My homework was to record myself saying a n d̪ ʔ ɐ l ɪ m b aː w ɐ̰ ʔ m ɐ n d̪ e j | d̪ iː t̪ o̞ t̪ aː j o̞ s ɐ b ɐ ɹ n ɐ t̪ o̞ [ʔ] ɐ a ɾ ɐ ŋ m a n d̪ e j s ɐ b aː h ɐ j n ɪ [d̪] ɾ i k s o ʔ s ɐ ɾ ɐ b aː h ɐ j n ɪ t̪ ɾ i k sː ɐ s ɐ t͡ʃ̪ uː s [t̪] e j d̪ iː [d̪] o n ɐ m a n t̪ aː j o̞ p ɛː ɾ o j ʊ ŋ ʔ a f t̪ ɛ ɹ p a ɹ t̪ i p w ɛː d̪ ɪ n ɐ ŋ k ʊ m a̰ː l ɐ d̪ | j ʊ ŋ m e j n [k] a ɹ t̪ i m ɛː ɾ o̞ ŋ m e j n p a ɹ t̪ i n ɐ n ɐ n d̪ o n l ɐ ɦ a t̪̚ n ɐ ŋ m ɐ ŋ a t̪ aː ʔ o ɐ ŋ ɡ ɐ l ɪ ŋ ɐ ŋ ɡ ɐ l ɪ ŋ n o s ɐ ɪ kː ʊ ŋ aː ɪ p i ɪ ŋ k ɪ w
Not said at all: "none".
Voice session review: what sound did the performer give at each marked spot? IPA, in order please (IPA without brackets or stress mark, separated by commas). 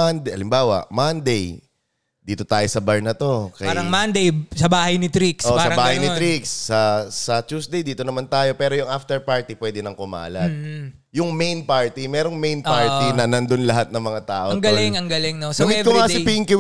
k, t̪, d̪, t̪, p